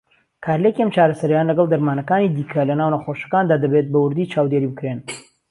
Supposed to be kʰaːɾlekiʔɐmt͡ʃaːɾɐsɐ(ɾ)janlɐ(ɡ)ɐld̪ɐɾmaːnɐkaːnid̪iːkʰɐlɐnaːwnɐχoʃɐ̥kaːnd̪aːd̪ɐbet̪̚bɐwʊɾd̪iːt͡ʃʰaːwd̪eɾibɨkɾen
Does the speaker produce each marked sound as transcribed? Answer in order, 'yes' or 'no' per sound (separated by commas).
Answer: yes, yes